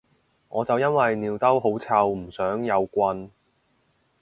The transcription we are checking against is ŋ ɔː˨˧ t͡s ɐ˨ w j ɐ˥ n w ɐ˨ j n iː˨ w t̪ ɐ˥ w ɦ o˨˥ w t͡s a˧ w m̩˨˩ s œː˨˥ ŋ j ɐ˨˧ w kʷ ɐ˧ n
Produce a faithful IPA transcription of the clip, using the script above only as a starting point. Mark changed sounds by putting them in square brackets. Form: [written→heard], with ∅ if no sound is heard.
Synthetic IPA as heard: ŋ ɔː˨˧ t͡s ɐ˨ w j ɐ˥ n w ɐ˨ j n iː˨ w t̪ ɐ˥ w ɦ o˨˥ w [t͡s→t͡sʰ] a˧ w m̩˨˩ s œː˨˥ ŋ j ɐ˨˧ w kʷ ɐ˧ n